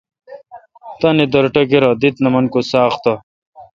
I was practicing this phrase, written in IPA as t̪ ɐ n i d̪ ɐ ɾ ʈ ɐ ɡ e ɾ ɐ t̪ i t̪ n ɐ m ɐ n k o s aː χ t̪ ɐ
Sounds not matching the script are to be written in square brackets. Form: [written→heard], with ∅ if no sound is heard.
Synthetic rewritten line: t̪ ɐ n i d̪ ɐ ɾ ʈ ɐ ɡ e ɾ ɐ [t̪→d̪] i t̪ n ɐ m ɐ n k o s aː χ t̪ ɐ